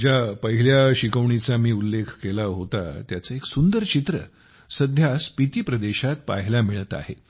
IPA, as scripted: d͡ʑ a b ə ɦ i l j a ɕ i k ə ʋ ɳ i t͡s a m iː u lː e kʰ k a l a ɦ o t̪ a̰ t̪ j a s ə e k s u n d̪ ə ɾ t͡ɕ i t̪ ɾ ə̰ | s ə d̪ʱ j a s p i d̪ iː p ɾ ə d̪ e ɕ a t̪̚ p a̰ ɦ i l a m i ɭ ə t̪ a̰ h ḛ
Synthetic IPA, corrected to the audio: d͡ʑ a p ə ɦ i l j a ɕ i k ə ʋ ɳ i t͡s a m iː u lː e kʰ k e l a ɦ o t̪ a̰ t̪ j a t͡s ə e k s u n d̪ ə ɾ t͡ɕ i t̪ ɾ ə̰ | s ə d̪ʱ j a s p i t̪ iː p ɾ ə d̪ e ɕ a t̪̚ p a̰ ɦ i l a m i ɭ ə t̪ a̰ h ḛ